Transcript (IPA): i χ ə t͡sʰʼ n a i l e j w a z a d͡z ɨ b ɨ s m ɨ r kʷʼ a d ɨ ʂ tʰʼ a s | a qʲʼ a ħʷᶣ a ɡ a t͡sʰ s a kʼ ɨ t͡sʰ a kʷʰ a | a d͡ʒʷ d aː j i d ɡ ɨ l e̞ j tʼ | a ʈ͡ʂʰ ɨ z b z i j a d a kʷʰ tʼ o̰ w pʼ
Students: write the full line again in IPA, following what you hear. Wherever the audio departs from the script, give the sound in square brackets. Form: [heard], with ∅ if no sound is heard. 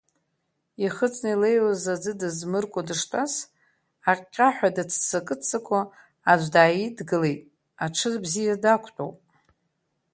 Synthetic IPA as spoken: i χ ə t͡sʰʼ n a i l e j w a z a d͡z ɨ [d] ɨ [z] m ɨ r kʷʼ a d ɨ ʂ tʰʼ a s | a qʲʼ a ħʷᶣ a [d] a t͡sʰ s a kʼ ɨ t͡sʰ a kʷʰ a | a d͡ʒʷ d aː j i d ɡ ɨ l e̞ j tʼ | a ʈ͡ʂʰ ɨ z b z i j a d a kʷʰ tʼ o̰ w pʼ